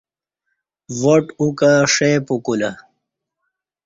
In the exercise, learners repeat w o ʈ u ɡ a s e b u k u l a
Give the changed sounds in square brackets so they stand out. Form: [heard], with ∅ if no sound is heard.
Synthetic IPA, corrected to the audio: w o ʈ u [k] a [ʂ] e [p] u k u l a